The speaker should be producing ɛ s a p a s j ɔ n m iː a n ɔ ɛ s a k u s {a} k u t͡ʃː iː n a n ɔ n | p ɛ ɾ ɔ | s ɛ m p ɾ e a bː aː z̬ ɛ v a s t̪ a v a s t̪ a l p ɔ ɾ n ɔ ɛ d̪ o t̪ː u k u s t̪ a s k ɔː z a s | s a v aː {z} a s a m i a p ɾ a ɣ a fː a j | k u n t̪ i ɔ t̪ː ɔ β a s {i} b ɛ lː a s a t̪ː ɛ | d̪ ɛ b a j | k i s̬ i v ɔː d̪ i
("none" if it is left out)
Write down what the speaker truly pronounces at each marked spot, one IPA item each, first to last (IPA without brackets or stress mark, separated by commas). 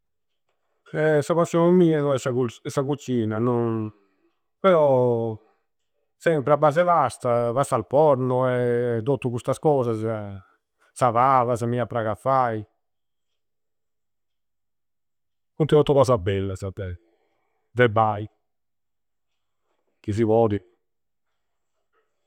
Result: a, v, a